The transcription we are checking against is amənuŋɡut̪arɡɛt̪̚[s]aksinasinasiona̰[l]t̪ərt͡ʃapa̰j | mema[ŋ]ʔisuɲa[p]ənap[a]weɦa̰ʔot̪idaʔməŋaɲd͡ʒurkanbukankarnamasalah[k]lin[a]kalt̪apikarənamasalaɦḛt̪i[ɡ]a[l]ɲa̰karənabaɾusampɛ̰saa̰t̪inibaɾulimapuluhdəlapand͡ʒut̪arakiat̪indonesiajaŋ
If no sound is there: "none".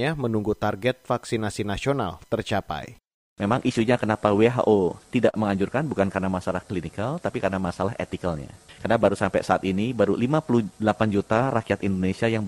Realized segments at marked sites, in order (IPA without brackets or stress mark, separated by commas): f, l, ŋ, k, a, k, i, k, l